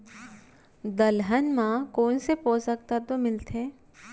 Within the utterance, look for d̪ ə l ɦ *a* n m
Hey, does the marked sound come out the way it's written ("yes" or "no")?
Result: no